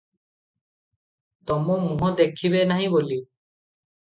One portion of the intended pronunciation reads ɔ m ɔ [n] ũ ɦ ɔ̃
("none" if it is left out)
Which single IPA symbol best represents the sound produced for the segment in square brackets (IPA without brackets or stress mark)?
m